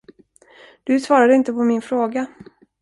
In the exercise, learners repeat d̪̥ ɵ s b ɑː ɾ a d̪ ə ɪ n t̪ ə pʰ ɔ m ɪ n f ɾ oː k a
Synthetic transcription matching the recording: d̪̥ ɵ s v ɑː ɾ a d̪ ə ɪ n t̪ ə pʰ ɔ m ɪ n f ɾ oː ɡ a